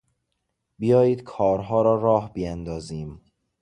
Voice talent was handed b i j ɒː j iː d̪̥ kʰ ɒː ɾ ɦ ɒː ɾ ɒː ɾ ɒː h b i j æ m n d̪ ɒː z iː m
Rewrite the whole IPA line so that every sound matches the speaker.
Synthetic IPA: b i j ɒː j iː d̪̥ kʰ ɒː ɾ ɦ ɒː ɾ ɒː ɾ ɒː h b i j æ n d̪ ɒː z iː m